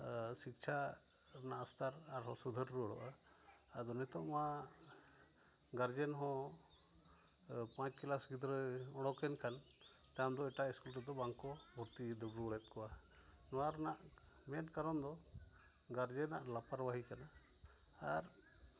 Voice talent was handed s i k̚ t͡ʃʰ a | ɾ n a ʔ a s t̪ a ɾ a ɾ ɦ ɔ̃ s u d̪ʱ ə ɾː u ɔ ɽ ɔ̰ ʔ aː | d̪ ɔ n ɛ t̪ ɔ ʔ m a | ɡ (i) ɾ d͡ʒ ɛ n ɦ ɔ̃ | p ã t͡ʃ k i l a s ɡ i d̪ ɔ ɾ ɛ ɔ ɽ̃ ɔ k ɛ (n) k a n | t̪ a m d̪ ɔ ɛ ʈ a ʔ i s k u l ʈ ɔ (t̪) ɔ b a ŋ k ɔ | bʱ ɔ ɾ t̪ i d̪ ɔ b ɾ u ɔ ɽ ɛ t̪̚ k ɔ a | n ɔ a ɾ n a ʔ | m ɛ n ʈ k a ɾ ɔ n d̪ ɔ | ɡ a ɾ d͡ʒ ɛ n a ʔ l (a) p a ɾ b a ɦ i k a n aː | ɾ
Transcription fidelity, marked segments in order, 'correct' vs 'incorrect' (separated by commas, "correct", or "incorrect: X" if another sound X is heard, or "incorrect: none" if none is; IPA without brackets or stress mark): incorrect: a, correct, incorrect: d̪, correct